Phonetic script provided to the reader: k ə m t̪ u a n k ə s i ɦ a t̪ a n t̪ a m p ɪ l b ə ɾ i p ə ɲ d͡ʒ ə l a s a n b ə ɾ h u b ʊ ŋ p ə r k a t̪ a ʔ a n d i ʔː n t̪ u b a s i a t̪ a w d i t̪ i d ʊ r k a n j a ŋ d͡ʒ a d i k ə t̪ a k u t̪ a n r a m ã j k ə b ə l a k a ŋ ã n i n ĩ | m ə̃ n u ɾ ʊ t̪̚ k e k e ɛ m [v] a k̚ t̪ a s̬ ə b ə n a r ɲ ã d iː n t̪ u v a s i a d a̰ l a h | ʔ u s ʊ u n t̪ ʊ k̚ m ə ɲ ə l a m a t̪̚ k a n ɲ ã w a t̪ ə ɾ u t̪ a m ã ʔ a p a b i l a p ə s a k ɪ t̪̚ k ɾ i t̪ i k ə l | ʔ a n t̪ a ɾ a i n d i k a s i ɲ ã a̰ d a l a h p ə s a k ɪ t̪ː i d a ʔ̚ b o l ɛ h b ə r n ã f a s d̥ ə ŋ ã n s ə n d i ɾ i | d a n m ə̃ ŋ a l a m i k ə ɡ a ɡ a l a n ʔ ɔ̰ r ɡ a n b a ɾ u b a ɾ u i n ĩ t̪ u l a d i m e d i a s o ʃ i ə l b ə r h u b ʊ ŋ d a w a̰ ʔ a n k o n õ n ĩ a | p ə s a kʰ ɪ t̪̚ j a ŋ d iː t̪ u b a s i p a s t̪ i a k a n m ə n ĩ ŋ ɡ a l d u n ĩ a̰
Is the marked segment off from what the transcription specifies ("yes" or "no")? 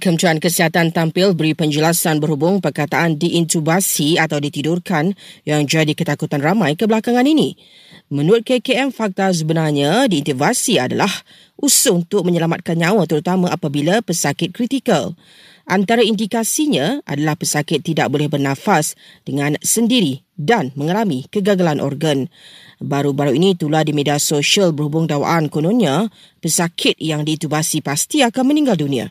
yes